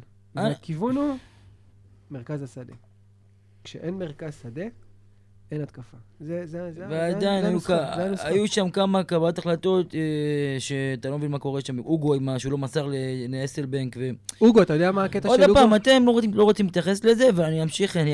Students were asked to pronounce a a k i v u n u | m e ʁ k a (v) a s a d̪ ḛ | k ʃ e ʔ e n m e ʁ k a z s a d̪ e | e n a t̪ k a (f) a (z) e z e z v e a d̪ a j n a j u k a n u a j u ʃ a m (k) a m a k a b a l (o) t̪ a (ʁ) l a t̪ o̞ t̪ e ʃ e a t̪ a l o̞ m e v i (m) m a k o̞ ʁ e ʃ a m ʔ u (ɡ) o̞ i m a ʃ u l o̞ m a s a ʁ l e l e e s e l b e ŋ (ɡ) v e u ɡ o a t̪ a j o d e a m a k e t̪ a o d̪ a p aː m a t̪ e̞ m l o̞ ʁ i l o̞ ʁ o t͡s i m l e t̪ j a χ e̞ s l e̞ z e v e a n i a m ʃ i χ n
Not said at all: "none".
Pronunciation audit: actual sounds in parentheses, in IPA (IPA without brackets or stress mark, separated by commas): z, f, z, k, o, χ, n, ɡ, k